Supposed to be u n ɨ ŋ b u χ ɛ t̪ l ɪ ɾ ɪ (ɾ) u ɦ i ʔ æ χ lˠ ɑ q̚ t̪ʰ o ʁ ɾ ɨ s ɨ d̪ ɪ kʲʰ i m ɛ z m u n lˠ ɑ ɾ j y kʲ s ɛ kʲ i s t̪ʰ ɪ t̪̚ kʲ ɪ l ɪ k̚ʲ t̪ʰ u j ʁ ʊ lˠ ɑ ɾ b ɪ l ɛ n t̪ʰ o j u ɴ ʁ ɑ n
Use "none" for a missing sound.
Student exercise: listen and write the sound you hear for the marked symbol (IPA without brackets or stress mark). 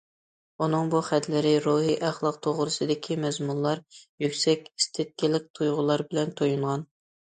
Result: ɾ